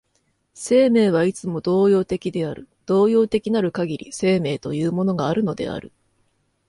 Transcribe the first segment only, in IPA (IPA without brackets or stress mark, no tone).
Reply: s